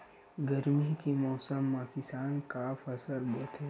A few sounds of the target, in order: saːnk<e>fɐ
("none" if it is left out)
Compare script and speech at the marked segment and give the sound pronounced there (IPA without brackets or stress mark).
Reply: a